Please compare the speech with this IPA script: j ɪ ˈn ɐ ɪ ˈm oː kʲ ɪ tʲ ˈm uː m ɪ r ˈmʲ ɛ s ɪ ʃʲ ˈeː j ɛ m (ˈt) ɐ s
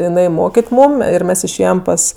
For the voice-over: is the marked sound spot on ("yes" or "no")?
no